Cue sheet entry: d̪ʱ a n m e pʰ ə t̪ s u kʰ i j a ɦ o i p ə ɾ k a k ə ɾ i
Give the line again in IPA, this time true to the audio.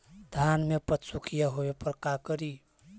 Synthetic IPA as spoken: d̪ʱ a n m e p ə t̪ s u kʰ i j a ɦ o e p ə ɾ k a k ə ɾ i